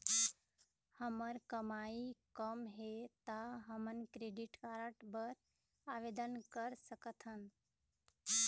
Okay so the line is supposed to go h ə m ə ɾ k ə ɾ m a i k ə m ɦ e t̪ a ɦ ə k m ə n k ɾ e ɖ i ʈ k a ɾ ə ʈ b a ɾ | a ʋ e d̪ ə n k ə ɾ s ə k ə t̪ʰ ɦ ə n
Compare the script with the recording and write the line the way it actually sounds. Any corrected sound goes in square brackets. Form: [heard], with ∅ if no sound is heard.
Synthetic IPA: h ə m ə ɾ k ə [∅] m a i k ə m ɦ e t̪ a ɦ ə [∅] m ə n k ɾ e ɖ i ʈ k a ɾ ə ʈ b [ə] ɾ | a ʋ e d̪ ə n k ə ɾ s ə k ə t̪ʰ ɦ ə n